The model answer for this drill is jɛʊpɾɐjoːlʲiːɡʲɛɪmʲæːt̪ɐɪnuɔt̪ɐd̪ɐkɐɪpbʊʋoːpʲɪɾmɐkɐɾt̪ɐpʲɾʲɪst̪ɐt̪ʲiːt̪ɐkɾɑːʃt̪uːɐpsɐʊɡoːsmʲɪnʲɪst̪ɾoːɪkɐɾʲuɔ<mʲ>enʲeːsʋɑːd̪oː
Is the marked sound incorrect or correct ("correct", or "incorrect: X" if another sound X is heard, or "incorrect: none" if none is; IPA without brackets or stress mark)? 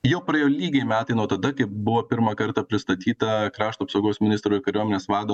correct